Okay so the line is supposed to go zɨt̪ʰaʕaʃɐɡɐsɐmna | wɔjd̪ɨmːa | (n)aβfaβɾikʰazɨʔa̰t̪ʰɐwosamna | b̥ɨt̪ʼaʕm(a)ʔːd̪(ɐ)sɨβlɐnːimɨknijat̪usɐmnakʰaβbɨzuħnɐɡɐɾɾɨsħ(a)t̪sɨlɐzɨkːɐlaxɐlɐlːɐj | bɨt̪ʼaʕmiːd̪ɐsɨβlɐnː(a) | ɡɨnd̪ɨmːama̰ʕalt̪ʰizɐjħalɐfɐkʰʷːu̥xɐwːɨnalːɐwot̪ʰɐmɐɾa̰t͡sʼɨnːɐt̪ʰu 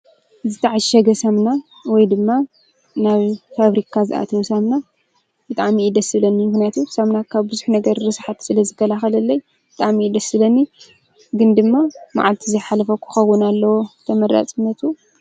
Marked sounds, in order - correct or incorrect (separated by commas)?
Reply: correct, incorrect, correct, correct, incorrect